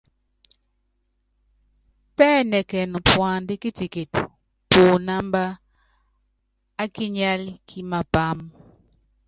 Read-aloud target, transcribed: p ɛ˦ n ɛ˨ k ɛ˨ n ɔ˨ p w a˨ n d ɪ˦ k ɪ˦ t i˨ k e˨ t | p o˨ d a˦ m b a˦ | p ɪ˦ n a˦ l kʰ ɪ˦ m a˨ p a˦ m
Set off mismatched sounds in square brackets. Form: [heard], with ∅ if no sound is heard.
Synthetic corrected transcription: p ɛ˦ n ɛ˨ k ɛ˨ n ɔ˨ p w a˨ n d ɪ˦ k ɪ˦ t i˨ k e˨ t | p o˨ [n] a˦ m b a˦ | [k] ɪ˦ [ɲ] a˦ l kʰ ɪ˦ m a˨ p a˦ m

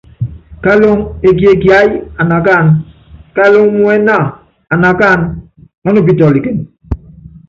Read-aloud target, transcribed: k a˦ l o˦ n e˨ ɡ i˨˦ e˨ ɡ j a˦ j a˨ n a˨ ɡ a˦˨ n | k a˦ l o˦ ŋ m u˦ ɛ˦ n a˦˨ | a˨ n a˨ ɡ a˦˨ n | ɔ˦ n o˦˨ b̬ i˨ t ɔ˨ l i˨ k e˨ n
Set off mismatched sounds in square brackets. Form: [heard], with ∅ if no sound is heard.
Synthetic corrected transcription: k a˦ l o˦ [ŋ] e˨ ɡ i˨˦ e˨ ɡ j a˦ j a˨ n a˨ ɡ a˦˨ n | k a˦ l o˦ ŋ m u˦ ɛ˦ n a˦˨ | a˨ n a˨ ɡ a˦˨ n | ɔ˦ n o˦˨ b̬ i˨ t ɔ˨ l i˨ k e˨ n

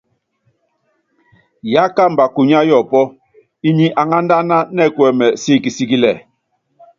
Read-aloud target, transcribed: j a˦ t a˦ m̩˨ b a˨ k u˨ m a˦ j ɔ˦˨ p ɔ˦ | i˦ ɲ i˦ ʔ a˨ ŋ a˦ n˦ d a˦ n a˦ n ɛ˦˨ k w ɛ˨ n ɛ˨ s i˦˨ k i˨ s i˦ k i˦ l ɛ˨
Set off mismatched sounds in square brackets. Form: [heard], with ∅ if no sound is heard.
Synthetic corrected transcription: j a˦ [k] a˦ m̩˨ b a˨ k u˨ [ɲ] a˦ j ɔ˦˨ p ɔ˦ | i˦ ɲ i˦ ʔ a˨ ŋ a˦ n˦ d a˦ n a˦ n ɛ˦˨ k w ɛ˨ [m] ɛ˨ s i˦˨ k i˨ s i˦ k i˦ l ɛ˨

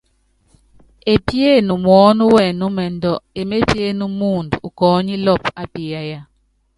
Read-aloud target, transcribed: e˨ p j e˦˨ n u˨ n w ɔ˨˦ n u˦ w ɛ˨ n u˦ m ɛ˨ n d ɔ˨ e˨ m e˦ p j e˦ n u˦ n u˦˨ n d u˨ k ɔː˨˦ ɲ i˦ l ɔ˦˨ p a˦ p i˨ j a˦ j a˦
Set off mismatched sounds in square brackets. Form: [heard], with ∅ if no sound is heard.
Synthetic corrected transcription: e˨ p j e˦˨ n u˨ [m] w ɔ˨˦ n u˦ w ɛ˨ n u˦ m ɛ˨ n d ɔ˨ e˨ m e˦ p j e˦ n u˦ [m] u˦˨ n d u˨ k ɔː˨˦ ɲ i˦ l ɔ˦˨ p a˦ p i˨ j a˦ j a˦

